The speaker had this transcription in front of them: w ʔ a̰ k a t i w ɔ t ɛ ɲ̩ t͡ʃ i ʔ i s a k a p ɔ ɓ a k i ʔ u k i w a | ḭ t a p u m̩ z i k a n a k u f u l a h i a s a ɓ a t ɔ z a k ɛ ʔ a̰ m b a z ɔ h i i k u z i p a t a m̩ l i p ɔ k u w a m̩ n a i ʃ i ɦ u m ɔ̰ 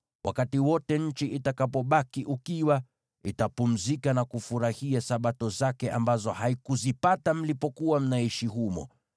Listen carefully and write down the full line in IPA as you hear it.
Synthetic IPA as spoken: w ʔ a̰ k a t i w ɔ t ɛ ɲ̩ t͡ʃ i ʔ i t a k a p ɔ ɓ a k i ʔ u k i w a | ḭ t a p u m̩ z i k a n a k u f u ɾ a h i a s a ɓ a t ɔ z a k ɛ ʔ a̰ m b a z ɔ h a i k u z i p a t a m̩ l i p ɔ k u w a m̩ n a i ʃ i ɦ u m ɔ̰